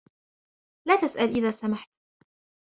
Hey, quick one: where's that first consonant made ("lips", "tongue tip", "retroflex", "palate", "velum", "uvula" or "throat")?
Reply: tongue tip